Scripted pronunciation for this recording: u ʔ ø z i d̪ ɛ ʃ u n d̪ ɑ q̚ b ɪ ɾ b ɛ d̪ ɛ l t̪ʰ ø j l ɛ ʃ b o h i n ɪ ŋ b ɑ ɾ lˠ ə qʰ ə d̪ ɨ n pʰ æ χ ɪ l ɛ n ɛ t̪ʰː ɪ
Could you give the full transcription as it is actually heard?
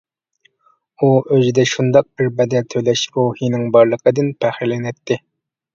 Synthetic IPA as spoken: u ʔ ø z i d̪ ɛ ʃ u n d̪ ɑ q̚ b ɪ ɾ b ɛ d̪ ɛ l t̪ʰ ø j l ɛ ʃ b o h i n ɪ ŋ b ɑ ɾ lˠ ə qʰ ə d̪ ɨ n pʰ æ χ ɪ l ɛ n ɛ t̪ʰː ɪ